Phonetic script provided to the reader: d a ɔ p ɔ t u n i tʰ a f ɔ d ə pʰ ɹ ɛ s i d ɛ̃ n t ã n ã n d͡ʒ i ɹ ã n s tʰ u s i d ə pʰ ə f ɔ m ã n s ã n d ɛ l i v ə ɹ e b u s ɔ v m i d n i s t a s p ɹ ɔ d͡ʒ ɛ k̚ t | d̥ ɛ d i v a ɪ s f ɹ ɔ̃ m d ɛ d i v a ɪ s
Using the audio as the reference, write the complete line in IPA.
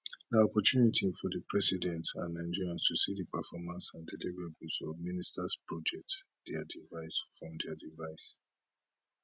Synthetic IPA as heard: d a ɔ p ɔ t u n i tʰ i f ɔ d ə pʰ ɹ ɛ s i d ɛ̃ n t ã n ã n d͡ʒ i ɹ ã n s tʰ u s i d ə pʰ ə f ɔ m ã n s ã n d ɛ l i v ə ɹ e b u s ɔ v m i n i s t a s p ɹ ɔ d͡ʒ ɛ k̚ t | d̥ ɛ d i v a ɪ s f ɹ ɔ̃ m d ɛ d i v a ɪ s